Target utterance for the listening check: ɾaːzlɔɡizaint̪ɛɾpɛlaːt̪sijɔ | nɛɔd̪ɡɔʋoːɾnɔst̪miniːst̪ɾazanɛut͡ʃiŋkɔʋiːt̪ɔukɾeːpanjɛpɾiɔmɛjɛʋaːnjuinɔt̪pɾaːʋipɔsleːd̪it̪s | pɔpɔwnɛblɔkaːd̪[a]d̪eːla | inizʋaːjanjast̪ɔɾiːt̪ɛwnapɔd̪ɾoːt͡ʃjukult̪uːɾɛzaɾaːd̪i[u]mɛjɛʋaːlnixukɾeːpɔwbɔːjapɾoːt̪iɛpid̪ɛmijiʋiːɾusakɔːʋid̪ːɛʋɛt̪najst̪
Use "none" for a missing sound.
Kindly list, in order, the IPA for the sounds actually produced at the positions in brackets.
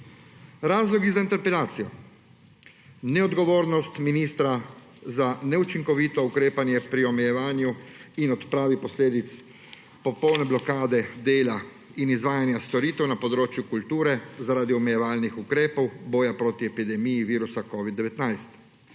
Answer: ɛ, ɔ

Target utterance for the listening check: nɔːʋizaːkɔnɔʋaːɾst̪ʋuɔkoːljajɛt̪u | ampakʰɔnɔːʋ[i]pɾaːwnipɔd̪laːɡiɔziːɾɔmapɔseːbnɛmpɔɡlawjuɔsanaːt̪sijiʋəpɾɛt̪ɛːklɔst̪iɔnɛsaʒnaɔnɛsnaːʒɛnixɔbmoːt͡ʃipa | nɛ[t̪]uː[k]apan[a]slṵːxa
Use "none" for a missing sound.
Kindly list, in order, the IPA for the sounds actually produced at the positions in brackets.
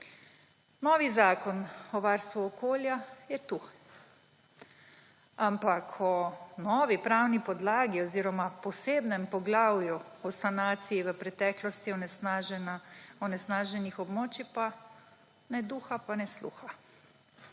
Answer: i, d̪, x, ɛ

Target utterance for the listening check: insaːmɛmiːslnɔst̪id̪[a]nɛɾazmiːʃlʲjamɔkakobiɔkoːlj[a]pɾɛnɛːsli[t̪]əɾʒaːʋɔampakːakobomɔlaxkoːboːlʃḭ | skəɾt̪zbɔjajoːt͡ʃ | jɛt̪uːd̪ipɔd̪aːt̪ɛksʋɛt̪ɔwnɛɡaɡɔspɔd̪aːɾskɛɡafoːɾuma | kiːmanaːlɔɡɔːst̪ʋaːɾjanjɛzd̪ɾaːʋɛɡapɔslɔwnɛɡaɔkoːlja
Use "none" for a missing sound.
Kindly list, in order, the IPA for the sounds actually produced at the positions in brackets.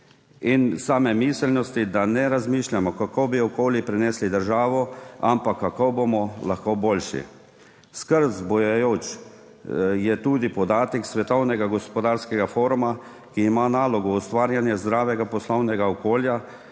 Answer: a, i, d̪

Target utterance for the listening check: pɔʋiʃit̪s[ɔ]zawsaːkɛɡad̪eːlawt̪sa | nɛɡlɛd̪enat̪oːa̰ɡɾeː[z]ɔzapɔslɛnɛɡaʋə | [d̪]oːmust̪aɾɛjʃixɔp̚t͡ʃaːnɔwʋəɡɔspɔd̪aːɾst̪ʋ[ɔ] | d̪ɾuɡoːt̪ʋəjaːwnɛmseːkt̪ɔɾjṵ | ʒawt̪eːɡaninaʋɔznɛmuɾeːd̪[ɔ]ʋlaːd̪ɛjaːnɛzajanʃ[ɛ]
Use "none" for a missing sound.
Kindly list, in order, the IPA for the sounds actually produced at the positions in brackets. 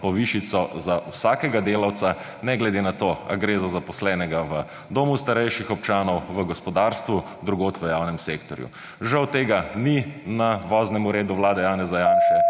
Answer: ɔ, z, d̪, u, u, ɛ

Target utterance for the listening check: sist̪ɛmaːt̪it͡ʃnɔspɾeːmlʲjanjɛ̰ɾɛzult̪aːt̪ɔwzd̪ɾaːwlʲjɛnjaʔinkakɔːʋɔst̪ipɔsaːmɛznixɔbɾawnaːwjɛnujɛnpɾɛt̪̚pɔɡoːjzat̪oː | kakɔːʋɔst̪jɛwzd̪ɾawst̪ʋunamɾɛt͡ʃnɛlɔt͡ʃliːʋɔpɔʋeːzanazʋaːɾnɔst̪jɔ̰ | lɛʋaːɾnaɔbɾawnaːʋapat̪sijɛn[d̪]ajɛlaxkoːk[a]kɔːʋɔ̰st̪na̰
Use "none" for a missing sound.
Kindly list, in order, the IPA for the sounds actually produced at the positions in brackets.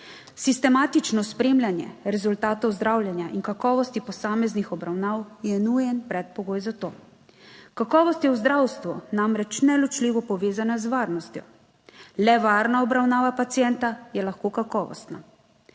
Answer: t̪, a

